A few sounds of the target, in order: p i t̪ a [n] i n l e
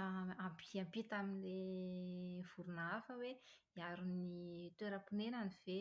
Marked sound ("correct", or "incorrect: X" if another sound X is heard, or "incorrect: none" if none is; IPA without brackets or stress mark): incorrect: m